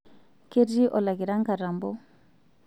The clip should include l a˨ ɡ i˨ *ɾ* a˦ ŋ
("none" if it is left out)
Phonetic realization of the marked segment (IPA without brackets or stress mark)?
ɾ